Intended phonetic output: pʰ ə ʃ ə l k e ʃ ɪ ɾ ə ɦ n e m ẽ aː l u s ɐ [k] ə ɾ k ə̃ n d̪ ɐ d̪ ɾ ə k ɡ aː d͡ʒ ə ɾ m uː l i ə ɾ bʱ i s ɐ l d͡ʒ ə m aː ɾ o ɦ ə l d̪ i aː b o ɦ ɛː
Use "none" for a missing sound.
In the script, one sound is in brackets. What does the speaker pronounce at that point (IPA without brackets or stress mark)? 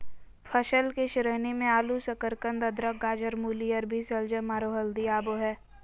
k